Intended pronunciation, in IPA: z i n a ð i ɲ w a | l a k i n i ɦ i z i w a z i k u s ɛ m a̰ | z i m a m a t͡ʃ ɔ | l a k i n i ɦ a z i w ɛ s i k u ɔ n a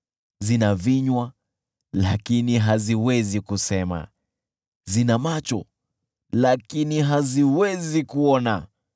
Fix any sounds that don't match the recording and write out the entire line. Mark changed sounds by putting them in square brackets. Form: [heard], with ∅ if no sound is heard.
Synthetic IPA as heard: z i n a [v] i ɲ w a | l a k i n i ɦ [a] z i w [ɛ] z i k u s ɛ m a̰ | z i [n] a m a t͡ʃ ɔ | l a k i n i ɦ a z i w ɛ [z] i k u ɔ n a